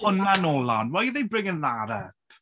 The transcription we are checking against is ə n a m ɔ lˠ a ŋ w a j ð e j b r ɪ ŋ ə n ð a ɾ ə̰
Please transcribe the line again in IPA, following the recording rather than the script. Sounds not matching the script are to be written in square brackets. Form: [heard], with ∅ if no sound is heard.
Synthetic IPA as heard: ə n a [n] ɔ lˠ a [n] w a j ð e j b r ɪ ŋ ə n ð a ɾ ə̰